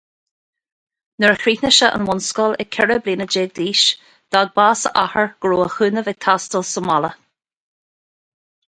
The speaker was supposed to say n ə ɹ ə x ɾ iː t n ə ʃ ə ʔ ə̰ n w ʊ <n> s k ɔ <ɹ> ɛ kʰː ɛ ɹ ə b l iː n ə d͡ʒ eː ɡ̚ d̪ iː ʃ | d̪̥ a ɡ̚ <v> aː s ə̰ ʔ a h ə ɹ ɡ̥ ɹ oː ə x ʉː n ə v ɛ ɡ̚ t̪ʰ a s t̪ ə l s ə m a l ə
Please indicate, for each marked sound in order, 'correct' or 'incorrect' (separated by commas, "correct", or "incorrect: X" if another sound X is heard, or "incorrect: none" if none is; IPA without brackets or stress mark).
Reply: correct, incorrect: l, incorrect: b